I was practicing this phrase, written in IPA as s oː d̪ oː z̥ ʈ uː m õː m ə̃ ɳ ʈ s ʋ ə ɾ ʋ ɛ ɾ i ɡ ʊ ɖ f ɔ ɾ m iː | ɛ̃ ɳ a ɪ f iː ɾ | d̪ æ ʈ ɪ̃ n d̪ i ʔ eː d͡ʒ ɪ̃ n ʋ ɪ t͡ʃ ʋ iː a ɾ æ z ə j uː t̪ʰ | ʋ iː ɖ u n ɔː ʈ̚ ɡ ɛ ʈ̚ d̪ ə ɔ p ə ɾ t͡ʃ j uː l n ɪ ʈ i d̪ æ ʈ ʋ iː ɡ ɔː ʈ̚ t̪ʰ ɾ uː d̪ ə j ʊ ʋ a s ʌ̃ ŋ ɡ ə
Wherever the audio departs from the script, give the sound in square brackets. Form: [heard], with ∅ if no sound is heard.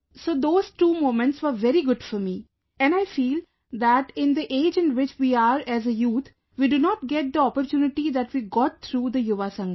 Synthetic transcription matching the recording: s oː d̪ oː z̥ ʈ uː m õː m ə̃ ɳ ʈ s ʋ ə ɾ ʋ ɛ ɾ i ɡ ʊ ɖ f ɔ ɾ m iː | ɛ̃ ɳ a ɪ f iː [l] | d̪ æ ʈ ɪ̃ n d̪ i ʔ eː d͡ʒ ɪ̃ n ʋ ɪ t͡ʃ ʋ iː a ɾ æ z ə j uː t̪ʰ | ʋ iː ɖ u n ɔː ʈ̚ ɡ ɛ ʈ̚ d̪ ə ɔ p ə ɾ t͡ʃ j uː [∅] n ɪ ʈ i d̪ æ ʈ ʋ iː ɡ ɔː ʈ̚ t̪ʰ ɾ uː d̪ ə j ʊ ʋ a s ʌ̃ ŋ ɡ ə